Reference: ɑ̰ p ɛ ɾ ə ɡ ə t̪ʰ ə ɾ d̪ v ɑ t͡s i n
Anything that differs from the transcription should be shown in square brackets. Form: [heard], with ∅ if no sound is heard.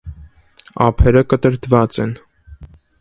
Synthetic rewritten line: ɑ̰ [pʰ] ɛ ɾ ə [k] ə [t̪] ə ɾ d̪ v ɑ t͡s [ɛ] n